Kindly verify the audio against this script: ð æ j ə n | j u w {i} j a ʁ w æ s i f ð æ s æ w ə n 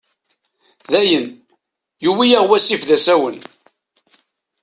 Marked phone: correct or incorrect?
correct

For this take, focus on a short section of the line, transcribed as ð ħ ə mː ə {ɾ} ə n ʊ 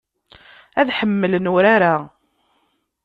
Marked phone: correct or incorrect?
incorrect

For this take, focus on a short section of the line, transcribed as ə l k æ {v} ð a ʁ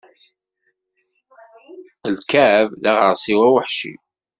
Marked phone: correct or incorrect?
correct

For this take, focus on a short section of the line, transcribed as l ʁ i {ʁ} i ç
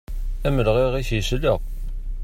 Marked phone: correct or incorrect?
correct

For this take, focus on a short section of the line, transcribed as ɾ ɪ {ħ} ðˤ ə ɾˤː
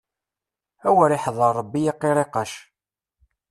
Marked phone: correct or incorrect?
correct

